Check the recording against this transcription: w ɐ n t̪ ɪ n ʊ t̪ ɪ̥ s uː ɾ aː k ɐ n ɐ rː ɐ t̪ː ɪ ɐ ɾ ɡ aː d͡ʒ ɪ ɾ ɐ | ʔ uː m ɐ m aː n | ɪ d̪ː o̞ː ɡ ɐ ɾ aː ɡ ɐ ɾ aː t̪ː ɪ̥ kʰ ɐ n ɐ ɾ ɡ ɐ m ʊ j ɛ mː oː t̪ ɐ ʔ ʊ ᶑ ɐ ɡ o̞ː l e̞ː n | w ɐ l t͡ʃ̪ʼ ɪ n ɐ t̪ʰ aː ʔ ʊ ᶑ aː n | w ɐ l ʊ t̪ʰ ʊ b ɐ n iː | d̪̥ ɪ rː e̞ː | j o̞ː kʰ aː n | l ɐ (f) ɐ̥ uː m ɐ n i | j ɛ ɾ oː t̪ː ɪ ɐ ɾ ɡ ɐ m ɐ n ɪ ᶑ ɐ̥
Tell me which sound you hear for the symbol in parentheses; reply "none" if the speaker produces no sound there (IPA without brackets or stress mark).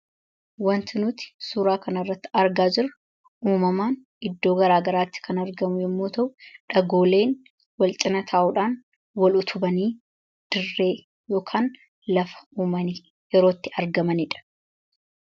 f